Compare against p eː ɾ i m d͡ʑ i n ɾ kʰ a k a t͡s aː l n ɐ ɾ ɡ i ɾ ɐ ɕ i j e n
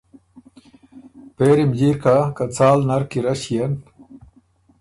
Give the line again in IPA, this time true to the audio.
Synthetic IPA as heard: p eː ɾ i m d͡ʑ i ɾ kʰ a k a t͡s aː l n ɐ ɾ k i ɾ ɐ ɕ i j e n